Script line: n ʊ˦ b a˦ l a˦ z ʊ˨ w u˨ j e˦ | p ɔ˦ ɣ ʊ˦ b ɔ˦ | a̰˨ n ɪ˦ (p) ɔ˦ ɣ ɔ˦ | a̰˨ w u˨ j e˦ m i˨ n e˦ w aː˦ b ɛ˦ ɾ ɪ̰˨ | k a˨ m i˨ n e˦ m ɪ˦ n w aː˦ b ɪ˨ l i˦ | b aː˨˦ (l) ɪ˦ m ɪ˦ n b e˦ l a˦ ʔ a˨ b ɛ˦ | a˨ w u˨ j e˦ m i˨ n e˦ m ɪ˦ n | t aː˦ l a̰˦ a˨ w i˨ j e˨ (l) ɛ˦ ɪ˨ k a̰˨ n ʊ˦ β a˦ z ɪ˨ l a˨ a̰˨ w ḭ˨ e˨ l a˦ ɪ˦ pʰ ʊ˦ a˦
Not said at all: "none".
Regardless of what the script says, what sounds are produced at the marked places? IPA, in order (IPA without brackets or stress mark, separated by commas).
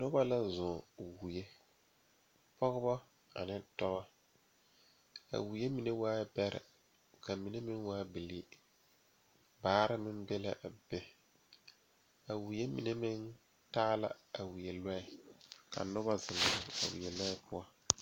t, ɾ, l